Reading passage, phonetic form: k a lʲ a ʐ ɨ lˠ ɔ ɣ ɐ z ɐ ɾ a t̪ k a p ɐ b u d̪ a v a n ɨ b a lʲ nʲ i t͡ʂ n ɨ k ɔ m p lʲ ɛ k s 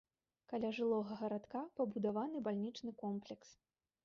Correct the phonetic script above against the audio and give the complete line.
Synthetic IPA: k a lʲ a ʐ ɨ lˠ ɔ ɣ ɐ ɣ ɐ ɾ a t̪ k a p ɐ b u d̪ a v a n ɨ b a lʲ nʲ i t͡ʂ n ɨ k ɔ m p lʲ ɛ k s